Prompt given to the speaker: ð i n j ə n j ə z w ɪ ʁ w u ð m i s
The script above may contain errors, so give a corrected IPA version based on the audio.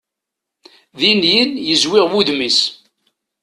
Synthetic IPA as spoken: ð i n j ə n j ə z w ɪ ʁ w u ð m i s